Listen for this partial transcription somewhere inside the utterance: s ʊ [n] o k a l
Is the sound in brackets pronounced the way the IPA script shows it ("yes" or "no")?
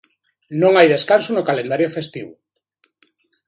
yes